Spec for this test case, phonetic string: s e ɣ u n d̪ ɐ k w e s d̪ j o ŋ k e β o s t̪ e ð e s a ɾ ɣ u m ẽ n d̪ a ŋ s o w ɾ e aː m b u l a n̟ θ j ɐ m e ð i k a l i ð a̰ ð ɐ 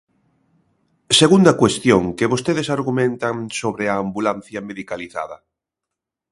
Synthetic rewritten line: s e ɣ u n d̪ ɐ k w e s t̪ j o ŋ k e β o s t̪ e ð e s a ɾ ɣ u m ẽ n t̪ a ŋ s o β ɾ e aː m b u l a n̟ θ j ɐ m e ð i k a l i θ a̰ ð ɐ